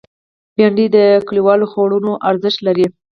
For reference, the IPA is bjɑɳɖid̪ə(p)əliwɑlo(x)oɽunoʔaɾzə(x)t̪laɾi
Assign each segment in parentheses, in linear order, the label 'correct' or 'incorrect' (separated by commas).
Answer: incorrect, correct, incorrect